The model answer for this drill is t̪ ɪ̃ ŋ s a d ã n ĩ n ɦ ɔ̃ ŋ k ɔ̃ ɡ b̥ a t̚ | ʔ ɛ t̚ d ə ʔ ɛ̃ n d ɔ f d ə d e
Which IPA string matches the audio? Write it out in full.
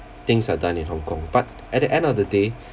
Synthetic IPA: t̪ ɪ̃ ŋ s a d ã n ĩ n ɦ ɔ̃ ŋ k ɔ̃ ŋ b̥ a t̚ | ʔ ɛ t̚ d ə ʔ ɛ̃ n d ɔ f d ə d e